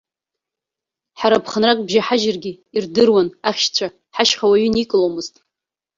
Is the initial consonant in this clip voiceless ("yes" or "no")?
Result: yes